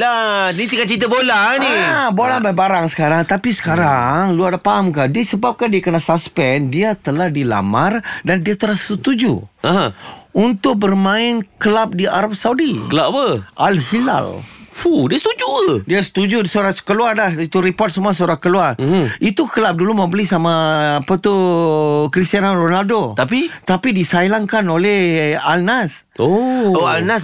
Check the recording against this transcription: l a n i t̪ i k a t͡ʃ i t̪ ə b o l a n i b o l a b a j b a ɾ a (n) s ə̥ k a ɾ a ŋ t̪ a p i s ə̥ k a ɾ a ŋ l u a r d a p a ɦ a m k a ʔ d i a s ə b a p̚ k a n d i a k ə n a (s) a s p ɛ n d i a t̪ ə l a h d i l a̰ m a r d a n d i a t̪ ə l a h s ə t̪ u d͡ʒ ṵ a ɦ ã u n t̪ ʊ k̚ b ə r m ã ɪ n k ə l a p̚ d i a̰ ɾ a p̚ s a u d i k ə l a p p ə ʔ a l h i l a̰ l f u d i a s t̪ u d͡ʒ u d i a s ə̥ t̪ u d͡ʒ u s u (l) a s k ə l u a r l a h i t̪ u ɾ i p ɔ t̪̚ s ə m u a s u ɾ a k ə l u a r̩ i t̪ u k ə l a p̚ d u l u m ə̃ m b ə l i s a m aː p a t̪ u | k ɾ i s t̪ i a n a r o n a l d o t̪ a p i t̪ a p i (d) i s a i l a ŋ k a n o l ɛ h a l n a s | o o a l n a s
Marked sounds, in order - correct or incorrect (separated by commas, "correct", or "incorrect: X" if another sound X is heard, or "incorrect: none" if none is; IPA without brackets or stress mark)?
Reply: incorrect: ŋ, correct, incorrect: ɾ, correct